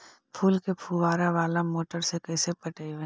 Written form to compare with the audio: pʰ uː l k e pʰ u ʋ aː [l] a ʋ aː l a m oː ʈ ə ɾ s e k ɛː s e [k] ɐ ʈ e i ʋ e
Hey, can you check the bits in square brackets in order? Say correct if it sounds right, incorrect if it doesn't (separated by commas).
incorrect, incorrect